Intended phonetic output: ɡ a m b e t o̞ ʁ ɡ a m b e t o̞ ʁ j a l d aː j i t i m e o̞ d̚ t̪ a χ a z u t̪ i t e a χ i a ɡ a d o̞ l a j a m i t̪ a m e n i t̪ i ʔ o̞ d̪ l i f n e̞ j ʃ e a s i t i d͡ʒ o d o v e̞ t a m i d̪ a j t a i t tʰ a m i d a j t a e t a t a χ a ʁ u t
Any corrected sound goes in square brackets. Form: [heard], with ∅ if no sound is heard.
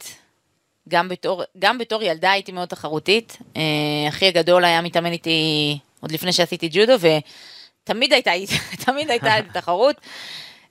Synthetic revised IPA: ɡ a m b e t o̞ ʁ ɡ a m b e t o̞ ʁ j a l d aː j i t i m e o̞ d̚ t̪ a χ a [ʁ] u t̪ i t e a χ i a ɡ a d o̞ l a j a m i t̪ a m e n i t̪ i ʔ o̞ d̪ l i f n e̞ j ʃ e a s i t i d͡ʒ [u] d o v e̞ t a m i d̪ a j t a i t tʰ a m i d a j t a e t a t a χ a ʁ u t